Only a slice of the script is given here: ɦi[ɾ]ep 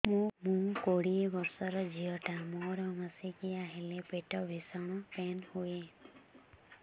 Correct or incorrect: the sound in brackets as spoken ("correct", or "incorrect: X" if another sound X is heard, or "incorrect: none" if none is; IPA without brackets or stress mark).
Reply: incorrect: l